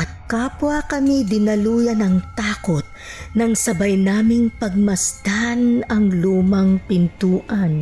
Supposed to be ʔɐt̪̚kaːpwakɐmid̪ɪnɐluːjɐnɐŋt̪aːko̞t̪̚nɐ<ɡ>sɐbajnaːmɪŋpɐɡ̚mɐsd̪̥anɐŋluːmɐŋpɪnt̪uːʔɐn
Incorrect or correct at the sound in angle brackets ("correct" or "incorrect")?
incorrect